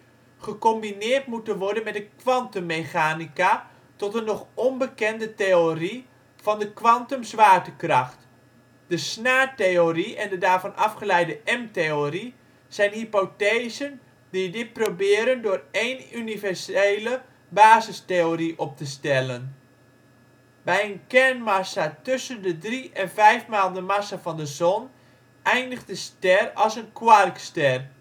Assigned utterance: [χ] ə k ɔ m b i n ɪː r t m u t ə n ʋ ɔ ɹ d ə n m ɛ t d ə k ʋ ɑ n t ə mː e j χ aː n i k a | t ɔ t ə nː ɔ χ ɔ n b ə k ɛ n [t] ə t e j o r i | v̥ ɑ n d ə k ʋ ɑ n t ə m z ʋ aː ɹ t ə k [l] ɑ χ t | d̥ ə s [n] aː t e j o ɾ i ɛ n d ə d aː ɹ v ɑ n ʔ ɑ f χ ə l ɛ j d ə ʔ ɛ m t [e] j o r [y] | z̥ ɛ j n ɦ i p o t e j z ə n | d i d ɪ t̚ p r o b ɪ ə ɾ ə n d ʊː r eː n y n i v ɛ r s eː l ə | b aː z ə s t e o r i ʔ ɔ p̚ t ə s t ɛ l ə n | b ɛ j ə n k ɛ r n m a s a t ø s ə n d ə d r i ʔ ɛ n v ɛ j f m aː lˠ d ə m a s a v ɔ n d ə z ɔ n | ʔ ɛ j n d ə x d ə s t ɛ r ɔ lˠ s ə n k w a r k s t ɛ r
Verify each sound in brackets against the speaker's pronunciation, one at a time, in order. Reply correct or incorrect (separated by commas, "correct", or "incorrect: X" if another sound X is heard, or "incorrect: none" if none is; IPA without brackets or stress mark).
correct, incorrect: d, incorrect: r, correct, correct, incorrect: i